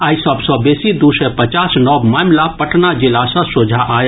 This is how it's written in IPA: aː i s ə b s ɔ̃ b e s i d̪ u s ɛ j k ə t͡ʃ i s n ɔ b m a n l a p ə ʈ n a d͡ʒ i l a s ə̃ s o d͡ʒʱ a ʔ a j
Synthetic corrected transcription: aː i s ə b s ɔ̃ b e s i d̪ u s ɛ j p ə t͡ʃ a s n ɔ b m a m l a p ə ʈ n a d͡ʒ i l a s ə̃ s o d͡ʒʱ a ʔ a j